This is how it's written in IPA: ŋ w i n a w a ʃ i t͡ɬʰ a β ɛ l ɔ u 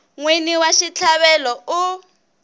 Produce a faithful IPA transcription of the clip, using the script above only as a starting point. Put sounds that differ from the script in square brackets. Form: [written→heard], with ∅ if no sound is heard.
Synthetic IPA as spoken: ŋ w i n [a→i] w a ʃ i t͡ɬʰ a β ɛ l ɔ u

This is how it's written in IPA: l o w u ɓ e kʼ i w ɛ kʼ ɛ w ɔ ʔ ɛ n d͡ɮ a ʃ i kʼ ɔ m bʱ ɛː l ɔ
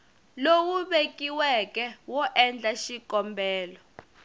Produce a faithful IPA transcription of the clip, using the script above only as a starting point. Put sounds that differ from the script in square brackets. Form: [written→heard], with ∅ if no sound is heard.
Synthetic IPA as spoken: l o w u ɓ e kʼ i w ɛ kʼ ɛ w ɔ ʔ ɛ n d͡ɮ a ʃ i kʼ ɔ m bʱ ɛː l ɔ

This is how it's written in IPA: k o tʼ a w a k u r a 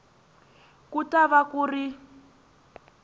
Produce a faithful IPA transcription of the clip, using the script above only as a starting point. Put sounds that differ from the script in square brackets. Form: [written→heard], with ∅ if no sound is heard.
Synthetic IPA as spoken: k [o→u] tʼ a [w→β] a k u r [a→i]

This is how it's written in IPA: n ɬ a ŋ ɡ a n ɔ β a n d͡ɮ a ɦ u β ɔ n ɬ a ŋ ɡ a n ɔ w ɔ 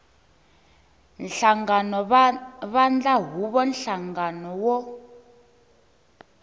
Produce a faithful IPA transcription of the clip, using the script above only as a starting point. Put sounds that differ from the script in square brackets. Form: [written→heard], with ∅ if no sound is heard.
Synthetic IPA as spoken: n ɬ a ŋ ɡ a n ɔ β a n d͡ɮ a ɦ u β ɔ n ɬ a ŋ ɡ a n ɔ w ɔ

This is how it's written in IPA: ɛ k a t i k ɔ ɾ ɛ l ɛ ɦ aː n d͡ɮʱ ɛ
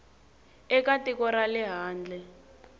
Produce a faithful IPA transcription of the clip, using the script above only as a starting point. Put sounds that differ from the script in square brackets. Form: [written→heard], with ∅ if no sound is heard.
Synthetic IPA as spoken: ɛ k a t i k ɔ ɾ [ɛ→a] l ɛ ɦ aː n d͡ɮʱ ɛ

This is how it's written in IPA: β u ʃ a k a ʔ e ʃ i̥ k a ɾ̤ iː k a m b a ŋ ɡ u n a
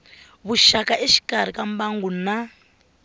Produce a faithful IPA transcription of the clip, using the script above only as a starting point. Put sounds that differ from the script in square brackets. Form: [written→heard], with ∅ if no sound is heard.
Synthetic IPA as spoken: β u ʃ a k a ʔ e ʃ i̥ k a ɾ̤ [iː→i] k a m b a ŋ ɡ u n a

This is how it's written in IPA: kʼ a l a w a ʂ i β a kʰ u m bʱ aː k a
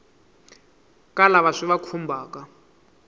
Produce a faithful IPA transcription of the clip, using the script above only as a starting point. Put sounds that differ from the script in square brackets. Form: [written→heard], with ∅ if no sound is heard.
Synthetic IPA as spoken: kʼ a l a [w→β] a ʂ i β a kʰ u m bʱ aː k a

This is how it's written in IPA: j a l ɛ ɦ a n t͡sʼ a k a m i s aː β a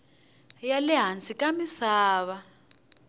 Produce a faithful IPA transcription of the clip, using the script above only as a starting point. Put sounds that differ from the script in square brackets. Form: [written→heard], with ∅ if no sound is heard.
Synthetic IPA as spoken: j a l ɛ ɦ a n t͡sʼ [a→i] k a m i s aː β a

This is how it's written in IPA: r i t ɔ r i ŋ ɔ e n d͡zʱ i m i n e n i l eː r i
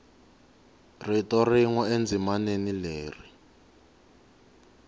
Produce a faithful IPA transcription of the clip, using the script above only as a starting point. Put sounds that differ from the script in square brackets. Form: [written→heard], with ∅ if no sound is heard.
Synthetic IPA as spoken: r i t ɔ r i ŋ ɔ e n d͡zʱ i m [i→a] n e n i l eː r i

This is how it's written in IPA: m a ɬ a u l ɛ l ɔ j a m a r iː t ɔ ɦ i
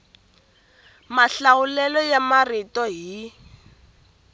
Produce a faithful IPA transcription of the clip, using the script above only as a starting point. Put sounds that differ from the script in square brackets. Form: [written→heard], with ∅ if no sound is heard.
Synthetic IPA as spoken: m a ɬ a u l ɛ l ɔ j a m a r [iː→i] t ɔ ɦ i

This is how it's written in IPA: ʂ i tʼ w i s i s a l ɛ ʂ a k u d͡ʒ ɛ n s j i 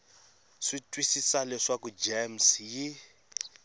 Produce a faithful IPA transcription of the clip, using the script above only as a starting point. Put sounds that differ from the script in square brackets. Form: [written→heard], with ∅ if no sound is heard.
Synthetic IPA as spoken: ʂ i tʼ w i s i s a l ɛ ʂ a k u d͡ʒ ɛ [n→m] s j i

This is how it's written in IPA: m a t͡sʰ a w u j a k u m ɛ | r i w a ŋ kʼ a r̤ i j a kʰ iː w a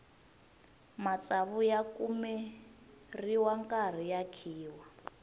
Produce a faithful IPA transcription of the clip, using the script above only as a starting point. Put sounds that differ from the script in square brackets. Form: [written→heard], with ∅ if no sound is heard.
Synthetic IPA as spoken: m a [t͡sʰ→t͡s] a [w→β] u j a k u m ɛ | r i w a ŋ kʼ a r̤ i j a kʰ iː w a

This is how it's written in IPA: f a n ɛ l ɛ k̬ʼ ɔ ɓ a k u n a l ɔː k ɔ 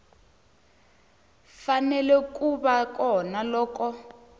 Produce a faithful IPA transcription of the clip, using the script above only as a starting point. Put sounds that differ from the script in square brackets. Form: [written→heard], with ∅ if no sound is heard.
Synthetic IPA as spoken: f a n ɛ l ɛ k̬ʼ [ɔ→u] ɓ a k [u→ɔ] n a l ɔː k ɔ

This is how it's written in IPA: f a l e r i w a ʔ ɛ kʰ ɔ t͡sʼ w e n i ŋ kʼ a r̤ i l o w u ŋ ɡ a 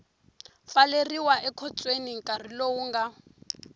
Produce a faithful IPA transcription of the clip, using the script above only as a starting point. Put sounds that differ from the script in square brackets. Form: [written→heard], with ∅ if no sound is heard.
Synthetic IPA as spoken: f a l e r i w a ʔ ɛ kʰ ɔ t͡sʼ w e n i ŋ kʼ a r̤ i l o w u ŋ ɡ a

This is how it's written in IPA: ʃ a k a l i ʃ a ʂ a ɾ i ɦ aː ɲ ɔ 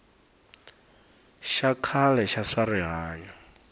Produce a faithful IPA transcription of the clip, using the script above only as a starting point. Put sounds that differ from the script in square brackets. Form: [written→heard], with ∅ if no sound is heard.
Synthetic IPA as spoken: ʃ a [k→kʰ] a l [i→ɛ] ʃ a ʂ a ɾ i ɦ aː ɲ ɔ

